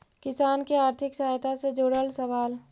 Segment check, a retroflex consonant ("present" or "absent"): present